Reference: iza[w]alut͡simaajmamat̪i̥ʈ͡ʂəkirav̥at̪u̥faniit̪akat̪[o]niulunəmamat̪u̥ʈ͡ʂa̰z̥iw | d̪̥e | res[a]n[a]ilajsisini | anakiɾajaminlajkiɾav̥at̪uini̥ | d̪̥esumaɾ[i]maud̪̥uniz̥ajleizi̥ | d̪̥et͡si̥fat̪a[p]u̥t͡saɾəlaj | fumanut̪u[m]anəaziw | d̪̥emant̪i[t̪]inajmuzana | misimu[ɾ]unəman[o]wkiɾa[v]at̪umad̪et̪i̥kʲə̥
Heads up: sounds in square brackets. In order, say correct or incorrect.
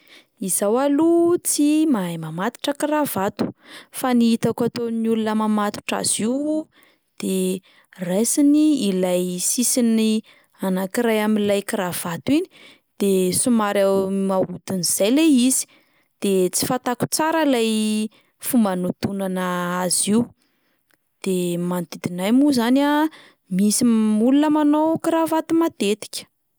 correct, correct, incorrect, incorrect, incorrect, incorrect, incorrect, incorrect, incorrect, correct, correct

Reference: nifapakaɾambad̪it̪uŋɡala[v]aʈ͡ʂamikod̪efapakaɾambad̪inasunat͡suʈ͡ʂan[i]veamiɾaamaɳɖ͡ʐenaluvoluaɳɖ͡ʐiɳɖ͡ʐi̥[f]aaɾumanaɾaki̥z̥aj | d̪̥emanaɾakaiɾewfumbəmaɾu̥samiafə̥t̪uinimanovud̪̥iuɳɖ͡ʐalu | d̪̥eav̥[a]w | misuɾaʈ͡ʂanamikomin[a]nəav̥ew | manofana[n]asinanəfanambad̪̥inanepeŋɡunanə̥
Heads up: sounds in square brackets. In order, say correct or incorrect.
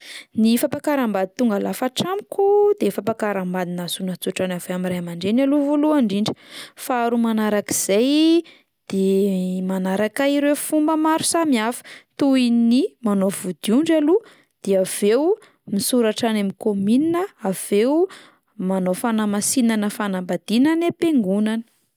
incorrect, incorrect, correct, incorrect, incorrect, incorrect

